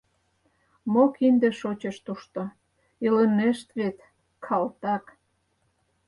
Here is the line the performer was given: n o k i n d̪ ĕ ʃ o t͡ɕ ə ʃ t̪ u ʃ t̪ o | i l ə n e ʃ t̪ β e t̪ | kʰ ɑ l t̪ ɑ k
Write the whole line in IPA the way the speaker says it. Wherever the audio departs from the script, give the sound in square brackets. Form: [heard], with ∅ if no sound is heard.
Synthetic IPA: [m] o k i n d̪ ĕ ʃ o t͡ɕ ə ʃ t̪ u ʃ t̪ o | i l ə n e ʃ t̪ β e t̪ | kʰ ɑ l t̪ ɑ k